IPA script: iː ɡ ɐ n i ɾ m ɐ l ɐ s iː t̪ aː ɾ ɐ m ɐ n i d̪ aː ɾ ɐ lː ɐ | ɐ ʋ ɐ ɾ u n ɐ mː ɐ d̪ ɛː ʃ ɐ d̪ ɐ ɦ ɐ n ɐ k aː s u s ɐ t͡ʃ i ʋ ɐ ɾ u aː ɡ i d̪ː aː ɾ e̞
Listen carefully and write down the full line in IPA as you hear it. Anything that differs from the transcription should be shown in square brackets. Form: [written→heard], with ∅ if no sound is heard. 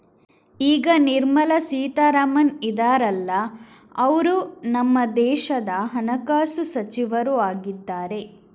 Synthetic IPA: iː ɡ ɐ n i ɾ m ɐ l ɐ s iː t̪ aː ɾ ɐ m ɐ n i d̪ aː ɾ ɐ lː ɐ | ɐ ʋ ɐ ɾ u n ɐ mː ɐ d̪ ɛː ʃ ɐ d̪ ɐ ɦ ɐ n ɐ k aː s u s ɐ t͡ʃ i ʋ ɐ ɾ u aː ɡ i d̪ː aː ɾ e̞

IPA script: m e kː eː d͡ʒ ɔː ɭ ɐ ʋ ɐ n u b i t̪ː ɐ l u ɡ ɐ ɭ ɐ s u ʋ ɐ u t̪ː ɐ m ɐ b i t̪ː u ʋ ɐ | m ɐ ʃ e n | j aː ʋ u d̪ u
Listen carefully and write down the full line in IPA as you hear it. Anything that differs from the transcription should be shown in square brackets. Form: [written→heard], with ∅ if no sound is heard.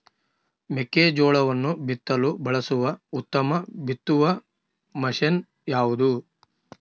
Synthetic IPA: m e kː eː d͡ʒ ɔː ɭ ɐ ʋ ɐ [n→nː] u b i t̪ː ɐ l u [ɡ→b] ɐ ɭ ɐ s u ʋ ɐ u t̪ː ɐ m ɐ b i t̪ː u ʋ ɐ | m ɐ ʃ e n | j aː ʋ u d̪ u

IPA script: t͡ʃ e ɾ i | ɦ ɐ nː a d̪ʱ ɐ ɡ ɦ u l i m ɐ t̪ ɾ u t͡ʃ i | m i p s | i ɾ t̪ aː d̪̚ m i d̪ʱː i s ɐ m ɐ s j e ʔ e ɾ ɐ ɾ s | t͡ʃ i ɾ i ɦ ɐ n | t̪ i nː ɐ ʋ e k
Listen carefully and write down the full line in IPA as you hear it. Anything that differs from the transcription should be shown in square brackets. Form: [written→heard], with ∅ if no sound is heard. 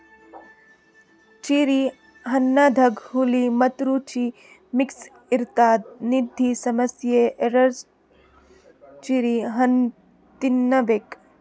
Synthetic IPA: t͡ʃ [e→i] ɾ i | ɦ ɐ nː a d̪ʱ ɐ ɡ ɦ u l i m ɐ t̪ ɾ u t͡ʃ i | m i [p→k] s | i ɾ t̪ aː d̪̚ [m→n] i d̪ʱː i s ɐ m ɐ s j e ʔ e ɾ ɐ ɾ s | t͡ʃ i ɾ i ɦ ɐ n | t̪ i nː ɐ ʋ e k

